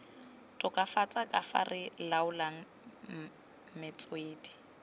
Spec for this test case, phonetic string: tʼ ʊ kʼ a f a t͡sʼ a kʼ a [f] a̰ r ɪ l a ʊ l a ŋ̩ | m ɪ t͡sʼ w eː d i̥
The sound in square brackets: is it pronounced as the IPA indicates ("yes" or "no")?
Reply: yes